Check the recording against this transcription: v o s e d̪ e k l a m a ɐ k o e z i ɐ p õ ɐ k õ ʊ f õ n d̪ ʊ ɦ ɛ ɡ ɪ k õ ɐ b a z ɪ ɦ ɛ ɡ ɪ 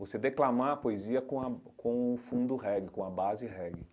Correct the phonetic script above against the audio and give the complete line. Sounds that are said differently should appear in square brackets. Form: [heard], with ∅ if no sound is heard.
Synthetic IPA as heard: v o s e d̪ e k l a m a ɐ [p] o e z i ɐ [k] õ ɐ k õ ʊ f [ũ] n d̪ ʊ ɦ ɛ ɡ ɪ k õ ɐ b a z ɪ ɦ ɛ ɡ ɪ